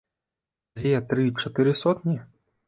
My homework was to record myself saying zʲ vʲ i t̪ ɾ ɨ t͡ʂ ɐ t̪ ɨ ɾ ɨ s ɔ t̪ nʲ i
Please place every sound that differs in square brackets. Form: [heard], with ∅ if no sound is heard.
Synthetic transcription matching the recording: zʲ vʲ [ɛ] t̪ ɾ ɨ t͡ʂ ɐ t̪ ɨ ɾ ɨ s ɔ t̪ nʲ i